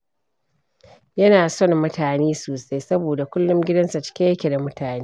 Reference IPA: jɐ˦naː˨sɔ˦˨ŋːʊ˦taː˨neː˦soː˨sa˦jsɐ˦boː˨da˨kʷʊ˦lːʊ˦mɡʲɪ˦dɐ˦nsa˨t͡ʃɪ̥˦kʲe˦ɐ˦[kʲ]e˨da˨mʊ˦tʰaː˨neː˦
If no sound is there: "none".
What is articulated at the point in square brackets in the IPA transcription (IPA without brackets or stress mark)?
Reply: kʲ